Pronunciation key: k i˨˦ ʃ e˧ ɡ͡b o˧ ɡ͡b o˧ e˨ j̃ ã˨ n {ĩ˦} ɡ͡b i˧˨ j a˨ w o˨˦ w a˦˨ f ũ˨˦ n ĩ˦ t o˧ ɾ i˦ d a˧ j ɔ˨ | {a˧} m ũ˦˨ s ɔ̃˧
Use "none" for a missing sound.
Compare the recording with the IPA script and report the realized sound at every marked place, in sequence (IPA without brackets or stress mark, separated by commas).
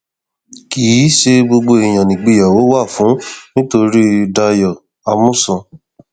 ĩ˨, a˧